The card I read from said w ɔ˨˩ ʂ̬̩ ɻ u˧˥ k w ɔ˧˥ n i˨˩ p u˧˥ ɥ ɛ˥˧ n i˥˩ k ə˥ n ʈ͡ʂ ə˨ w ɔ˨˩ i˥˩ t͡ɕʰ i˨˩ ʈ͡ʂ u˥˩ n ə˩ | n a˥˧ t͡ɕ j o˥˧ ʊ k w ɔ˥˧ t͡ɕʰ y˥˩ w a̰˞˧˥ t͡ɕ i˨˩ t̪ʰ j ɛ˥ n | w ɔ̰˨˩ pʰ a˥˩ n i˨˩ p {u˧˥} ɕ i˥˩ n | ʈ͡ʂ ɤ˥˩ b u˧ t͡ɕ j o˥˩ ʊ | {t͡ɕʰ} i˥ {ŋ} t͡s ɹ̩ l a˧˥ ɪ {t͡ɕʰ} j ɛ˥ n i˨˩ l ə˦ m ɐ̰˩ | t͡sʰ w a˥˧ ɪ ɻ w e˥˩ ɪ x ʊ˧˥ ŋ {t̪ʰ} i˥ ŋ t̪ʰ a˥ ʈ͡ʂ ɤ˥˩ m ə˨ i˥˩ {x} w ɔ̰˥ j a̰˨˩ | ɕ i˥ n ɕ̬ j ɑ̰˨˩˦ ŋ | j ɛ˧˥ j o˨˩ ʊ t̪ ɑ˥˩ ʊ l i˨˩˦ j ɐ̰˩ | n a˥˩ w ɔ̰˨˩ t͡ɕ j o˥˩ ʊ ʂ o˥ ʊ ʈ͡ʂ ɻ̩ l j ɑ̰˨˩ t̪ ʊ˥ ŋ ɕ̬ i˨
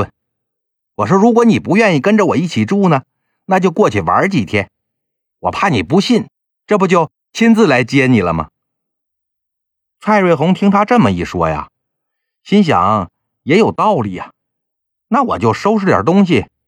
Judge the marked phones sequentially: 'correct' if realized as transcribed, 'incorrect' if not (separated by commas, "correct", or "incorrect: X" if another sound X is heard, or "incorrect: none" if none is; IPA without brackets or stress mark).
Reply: correct, correct, incorrect: n, incorrect: t͡ɕ, correct, incorrect: ʂ